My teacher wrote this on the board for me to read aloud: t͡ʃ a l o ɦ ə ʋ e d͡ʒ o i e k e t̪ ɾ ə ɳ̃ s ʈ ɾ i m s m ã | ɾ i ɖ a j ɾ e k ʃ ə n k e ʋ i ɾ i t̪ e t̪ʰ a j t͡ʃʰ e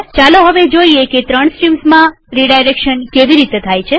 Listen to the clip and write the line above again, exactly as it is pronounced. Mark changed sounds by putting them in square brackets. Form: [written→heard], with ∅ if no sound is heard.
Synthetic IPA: t͡ʃ a l o ɦ ə ʋ e d͡ʒ o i e k e t̪ ɾ ə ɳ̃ s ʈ ɾ i m s m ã | ɾ i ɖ a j ɾ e k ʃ ə n k e ʋ i ɾ i t̪ e t̪ʰ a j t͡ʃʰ e